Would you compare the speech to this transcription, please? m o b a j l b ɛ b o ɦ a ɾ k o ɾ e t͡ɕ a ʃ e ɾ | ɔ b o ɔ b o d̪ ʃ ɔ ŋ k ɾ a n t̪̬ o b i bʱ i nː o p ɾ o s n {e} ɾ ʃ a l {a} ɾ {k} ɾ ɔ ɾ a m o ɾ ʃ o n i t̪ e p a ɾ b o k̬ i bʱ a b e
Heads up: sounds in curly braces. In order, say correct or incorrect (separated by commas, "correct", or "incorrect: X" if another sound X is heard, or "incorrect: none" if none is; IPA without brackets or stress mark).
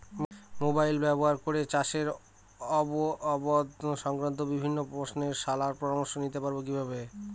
correct, correct, incorrect: p